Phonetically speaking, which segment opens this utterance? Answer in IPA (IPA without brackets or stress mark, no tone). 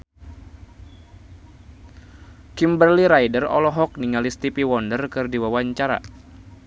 k